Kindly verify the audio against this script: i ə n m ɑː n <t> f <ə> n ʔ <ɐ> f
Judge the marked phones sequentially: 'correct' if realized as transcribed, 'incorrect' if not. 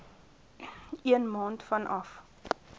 correct, incorrect: ɐ, correct

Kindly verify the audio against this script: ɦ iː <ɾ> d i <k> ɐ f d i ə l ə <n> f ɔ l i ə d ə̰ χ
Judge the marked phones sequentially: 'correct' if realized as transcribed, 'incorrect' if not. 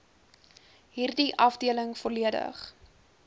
incorrect: r, incorrect: ʔ, incorrect: ŋ

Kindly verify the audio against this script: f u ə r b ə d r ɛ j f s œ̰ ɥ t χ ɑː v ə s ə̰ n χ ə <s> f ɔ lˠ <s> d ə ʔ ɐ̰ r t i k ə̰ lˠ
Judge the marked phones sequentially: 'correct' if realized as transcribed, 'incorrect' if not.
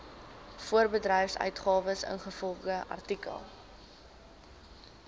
incorrect: none, incorrect: χ

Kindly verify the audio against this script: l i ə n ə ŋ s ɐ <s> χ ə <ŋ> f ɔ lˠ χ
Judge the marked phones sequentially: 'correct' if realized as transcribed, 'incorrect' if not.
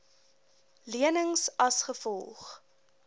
correct, incorrect: none

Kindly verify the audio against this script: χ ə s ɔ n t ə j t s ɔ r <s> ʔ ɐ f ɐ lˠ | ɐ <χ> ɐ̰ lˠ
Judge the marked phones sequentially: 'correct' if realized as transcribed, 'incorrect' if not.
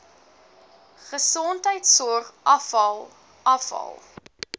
incorrect: χ, incorrect: f

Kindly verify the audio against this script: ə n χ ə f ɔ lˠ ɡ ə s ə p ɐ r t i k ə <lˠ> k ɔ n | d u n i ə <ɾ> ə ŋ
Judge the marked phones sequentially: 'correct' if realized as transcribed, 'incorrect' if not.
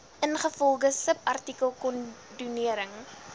correct, correct

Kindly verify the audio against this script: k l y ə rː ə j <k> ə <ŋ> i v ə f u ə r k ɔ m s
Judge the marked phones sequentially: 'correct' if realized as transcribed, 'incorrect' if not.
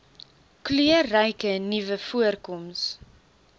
correct, incorrect: n

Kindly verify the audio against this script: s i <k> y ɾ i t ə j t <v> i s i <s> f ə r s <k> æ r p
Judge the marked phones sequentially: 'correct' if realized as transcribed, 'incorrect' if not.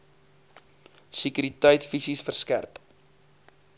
correct, incorrect: f, correct, correct

